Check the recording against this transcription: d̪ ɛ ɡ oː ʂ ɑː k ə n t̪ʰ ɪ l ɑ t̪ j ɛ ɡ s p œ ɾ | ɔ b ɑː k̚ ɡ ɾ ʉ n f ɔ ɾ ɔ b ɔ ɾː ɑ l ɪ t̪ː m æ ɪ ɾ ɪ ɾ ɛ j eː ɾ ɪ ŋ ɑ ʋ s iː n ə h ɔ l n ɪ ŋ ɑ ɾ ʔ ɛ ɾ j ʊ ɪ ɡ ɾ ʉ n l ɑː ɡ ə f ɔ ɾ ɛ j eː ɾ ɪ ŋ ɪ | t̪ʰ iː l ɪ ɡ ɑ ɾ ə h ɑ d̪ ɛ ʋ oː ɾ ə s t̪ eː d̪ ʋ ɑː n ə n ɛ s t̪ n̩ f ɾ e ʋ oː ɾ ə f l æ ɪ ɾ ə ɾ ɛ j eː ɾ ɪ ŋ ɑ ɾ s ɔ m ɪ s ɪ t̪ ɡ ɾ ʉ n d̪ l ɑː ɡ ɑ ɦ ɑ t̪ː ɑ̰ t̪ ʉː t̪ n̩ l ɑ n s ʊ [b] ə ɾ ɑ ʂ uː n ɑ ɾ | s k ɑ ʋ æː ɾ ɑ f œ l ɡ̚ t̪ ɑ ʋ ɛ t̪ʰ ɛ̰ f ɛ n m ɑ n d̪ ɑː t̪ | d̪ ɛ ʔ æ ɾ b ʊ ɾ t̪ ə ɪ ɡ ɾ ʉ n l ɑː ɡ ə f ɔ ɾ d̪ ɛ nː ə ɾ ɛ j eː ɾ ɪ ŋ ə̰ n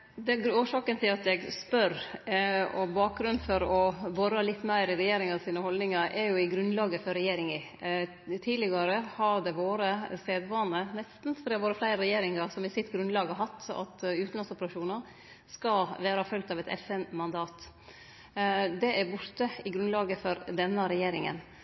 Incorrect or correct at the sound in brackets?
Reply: incorrect: p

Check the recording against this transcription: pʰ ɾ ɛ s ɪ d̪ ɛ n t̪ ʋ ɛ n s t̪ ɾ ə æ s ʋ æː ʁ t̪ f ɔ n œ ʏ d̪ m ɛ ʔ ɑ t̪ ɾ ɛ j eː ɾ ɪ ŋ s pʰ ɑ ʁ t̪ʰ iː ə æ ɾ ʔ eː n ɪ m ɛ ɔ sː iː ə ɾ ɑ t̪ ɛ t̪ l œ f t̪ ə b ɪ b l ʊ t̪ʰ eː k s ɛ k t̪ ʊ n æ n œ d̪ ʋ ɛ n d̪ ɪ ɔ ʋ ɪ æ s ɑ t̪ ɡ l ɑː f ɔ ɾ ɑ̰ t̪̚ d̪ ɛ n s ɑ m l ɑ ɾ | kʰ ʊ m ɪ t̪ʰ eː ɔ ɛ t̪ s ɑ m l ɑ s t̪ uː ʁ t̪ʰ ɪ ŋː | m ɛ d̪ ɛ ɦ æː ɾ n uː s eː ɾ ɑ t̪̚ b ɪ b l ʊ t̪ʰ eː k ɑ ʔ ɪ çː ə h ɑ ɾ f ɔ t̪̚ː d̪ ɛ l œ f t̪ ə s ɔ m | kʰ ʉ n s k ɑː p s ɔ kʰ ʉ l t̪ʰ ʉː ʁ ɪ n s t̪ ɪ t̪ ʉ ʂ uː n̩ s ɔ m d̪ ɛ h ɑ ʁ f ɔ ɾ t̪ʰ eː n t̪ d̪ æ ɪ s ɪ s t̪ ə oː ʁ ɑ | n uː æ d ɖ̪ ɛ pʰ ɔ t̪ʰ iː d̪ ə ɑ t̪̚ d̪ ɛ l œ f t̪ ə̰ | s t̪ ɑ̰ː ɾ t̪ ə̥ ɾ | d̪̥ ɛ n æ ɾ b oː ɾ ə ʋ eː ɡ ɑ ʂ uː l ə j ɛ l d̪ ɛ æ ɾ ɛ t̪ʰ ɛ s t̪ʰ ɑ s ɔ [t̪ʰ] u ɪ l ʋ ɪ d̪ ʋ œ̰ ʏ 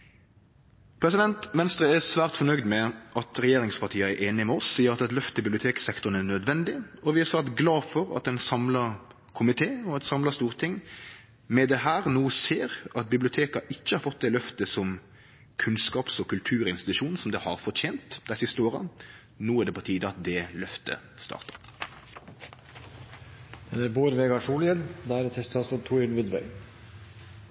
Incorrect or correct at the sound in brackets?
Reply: correct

